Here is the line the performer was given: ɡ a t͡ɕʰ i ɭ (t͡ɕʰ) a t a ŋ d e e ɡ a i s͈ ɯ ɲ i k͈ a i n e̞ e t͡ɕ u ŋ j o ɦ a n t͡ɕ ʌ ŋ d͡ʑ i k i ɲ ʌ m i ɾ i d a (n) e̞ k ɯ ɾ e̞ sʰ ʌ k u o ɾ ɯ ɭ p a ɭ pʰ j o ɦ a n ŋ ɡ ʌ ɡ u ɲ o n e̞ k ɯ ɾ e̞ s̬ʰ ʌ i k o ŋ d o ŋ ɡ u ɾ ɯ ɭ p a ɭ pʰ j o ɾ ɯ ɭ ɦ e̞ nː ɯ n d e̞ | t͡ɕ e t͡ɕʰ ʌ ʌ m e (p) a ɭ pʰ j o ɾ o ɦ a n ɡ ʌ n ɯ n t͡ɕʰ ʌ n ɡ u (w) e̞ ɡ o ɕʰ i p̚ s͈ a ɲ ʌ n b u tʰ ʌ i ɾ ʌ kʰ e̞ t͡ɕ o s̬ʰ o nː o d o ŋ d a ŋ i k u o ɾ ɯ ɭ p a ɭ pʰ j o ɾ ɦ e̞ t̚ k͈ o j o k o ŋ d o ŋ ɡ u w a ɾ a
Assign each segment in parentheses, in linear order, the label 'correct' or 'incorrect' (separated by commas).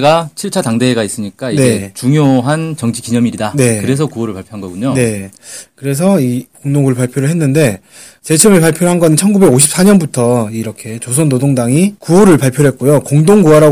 correct, correct, correct, incorrect